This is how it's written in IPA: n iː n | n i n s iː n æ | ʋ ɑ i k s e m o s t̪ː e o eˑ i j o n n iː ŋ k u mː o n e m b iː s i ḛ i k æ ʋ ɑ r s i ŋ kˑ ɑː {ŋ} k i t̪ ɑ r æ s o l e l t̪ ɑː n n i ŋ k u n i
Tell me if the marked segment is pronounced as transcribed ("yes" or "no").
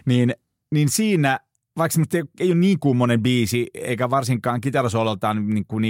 yes